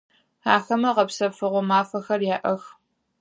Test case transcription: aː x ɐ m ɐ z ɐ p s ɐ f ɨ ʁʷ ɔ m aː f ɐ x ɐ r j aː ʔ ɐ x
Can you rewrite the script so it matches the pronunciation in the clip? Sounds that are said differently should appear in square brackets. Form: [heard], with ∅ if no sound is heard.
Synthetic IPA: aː x ɐ m ɐ [ʁ] ɐ p s ɐ f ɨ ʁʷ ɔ m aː f ɐ x ɐ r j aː ʔ ɐ x